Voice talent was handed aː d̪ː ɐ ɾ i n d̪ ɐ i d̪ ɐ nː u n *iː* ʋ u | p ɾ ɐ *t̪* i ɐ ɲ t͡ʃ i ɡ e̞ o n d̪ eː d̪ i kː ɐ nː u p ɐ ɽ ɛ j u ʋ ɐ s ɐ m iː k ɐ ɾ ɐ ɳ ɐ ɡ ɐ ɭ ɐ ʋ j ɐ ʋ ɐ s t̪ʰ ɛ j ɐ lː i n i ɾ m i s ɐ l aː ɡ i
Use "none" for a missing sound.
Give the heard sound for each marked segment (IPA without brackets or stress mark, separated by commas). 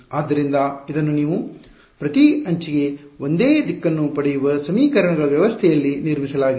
iː, t̪